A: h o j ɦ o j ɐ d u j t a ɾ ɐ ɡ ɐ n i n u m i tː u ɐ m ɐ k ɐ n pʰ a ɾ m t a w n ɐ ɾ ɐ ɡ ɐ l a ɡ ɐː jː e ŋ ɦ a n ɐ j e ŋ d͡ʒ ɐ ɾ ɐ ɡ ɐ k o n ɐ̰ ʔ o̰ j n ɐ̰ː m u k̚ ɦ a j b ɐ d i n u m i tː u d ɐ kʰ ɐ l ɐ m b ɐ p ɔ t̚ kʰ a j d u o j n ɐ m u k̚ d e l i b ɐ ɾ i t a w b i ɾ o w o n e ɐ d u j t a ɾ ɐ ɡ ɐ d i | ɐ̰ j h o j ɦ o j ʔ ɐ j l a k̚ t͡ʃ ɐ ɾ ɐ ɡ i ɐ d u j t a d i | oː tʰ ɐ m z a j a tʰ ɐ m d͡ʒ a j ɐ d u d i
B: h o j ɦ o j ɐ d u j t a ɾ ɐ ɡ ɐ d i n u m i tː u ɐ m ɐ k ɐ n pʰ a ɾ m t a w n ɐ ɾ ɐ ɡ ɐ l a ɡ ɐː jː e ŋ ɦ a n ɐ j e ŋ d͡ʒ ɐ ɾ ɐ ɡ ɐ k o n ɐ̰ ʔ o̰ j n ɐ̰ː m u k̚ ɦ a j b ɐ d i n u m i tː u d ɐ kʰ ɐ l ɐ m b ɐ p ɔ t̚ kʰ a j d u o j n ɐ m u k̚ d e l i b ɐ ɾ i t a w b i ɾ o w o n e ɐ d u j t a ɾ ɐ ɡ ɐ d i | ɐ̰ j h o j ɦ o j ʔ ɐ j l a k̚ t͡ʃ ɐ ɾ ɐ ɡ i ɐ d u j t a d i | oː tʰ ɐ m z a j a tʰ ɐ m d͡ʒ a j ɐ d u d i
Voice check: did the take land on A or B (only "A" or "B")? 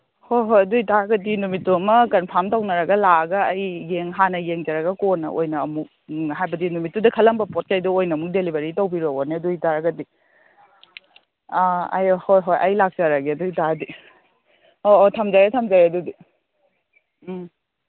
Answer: B